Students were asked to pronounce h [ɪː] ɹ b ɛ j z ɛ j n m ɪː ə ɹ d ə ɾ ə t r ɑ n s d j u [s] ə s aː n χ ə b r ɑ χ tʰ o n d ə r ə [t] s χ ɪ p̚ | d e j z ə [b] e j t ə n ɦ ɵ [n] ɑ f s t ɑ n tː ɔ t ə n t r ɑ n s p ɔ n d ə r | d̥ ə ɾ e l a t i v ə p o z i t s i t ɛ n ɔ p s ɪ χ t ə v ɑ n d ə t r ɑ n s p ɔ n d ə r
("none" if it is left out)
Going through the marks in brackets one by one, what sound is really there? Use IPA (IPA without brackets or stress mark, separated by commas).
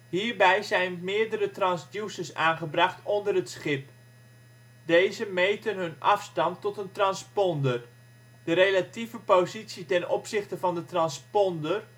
iː, s, t, m, n